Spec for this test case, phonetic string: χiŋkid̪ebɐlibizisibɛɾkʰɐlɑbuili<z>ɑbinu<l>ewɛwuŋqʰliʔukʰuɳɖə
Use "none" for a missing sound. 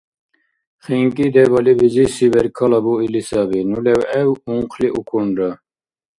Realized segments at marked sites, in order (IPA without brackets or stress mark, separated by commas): s, l